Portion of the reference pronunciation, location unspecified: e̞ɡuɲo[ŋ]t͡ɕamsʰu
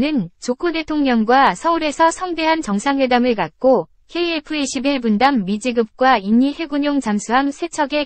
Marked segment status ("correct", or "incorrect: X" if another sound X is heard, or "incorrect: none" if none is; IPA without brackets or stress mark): correct